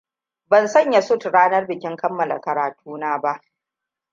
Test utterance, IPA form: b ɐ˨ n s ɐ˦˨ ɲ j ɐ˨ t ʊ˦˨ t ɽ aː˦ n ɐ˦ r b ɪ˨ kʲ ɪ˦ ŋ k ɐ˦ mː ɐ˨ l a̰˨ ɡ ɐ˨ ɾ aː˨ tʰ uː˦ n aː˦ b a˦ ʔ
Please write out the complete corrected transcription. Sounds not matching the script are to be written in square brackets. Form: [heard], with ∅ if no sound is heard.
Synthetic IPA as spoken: b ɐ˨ n s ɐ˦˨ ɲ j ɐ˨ [s] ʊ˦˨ t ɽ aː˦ n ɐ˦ r b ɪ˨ kʲ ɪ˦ ŋ k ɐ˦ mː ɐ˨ l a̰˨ [k] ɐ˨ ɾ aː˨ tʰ uː˦ n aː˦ b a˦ ʔ